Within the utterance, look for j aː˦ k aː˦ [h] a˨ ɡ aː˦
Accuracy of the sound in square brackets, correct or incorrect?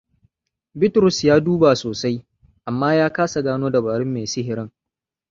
incorrect: s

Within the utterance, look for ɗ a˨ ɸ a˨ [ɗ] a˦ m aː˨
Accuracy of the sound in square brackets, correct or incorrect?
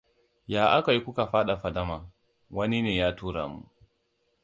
incorrect: d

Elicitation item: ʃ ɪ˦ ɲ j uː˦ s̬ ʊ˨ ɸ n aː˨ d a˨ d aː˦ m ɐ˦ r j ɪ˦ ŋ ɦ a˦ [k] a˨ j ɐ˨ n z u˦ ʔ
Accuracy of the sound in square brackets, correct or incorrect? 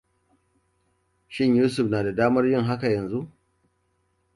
correct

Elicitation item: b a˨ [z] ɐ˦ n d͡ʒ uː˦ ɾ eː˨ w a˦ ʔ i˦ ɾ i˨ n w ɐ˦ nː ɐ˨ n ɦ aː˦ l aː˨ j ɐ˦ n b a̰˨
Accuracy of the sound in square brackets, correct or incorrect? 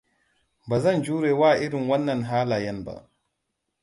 correct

